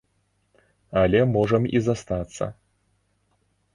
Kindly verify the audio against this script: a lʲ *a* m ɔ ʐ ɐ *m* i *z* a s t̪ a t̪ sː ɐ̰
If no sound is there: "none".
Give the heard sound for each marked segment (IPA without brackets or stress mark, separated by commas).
ɛ, m, z